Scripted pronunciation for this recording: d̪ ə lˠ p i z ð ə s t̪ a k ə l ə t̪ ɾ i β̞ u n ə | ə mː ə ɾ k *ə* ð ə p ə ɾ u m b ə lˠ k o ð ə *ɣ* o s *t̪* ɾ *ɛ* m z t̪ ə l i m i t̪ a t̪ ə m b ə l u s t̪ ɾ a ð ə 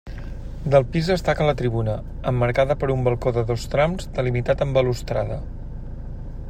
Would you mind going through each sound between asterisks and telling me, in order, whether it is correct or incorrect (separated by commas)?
incorrect, incorrect, correct, incorrect